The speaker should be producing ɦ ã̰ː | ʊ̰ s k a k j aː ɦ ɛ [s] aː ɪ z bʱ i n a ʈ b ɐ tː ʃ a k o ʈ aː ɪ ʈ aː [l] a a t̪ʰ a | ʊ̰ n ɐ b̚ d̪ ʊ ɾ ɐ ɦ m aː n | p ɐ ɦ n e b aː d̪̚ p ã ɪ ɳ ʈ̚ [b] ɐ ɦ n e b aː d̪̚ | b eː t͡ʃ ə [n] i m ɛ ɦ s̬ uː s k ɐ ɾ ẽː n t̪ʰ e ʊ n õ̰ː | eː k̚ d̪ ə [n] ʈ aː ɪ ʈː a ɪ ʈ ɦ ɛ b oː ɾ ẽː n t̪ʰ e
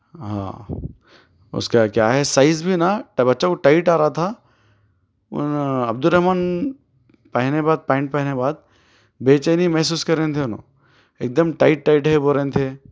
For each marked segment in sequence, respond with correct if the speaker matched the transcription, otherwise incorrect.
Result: correct, incorrect: ɾ, incorrect: p, correct, incorrect: m

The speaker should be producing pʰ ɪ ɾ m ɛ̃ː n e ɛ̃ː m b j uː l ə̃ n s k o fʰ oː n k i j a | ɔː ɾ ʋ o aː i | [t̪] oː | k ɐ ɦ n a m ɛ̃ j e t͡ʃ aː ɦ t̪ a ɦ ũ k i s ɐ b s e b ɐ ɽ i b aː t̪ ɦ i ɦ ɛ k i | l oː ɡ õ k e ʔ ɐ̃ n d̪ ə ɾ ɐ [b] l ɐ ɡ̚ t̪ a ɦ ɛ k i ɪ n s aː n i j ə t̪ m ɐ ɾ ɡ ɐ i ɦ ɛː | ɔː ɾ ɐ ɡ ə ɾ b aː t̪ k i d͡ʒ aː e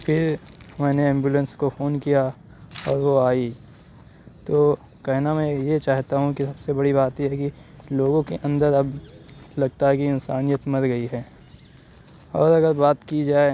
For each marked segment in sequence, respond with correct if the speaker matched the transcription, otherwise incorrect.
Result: correct, correct

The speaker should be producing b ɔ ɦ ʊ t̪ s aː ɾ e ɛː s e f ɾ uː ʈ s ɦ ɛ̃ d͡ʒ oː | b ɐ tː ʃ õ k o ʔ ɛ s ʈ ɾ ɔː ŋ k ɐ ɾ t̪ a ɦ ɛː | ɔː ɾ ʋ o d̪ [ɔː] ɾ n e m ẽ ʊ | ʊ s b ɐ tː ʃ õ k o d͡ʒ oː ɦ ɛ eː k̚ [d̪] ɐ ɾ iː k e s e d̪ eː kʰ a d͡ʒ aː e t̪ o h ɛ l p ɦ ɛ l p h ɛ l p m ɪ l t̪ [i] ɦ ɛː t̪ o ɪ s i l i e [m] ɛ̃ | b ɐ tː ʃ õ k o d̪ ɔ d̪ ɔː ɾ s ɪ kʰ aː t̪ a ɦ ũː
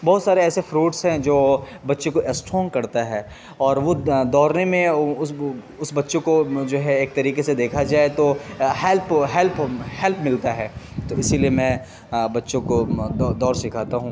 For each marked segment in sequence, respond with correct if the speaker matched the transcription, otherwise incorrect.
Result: correct, incorrect: t̪, incorrect: a, correct

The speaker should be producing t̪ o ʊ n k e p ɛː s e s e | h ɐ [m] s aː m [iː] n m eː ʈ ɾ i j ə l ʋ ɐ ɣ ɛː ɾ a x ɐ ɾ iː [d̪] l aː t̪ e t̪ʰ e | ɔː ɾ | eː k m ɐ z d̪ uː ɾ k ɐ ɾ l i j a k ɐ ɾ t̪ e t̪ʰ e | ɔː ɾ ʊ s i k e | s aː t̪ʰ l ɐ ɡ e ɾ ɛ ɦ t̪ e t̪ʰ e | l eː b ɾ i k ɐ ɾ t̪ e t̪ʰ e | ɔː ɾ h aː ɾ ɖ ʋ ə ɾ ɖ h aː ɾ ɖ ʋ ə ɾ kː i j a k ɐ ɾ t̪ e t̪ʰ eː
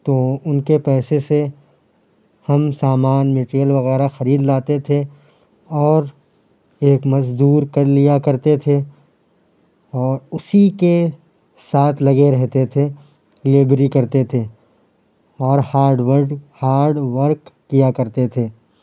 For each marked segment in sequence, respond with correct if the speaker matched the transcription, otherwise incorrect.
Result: correct, incorrect: aː, correct

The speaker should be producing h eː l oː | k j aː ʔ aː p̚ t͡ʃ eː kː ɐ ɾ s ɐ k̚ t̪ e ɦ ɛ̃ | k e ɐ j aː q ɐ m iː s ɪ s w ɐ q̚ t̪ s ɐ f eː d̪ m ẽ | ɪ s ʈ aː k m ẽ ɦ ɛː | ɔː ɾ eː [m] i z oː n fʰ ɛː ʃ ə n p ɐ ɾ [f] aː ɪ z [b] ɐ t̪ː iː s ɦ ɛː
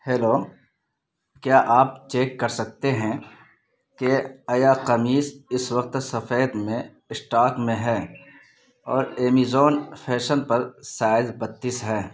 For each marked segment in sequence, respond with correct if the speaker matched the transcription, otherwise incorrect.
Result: correct, incorrect: s, correct

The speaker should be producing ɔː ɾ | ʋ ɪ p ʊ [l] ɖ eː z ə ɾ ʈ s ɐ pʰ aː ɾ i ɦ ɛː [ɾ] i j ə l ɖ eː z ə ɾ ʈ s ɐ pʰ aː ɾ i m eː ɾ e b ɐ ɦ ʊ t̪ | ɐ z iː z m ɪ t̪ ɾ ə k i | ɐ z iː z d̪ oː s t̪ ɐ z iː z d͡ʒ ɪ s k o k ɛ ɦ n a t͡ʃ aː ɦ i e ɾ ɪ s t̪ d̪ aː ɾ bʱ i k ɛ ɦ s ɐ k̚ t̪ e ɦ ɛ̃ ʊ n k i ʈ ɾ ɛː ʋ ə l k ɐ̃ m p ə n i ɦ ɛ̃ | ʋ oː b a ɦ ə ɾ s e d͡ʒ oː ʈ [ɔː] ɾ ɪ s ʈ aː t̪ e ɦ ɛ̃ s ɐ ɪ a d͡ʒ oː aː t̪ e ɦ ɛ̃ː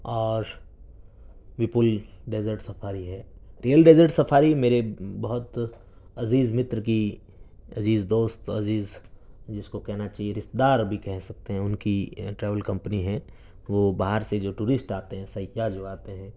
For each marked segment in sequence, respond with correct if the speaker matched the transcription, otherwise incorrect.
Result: correct, correct, incorrect: uː

